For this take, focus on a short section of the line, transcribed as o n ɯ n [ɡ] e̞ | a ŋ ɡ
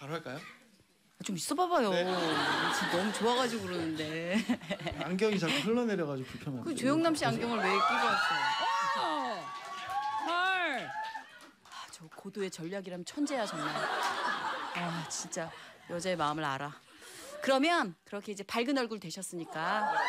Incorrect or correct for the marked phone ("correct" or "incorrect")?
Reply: incorrect